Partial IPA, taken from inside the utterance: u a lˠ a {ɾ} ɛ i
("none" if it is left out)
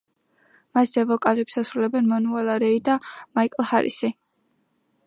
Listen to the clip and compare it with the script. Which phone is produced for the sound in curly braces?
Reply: ɾ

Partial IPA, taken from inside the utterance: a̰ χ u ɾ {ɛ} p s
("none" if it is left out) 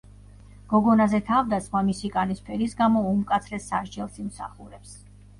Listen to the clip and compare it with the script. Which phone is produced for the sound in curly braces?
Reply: ɛ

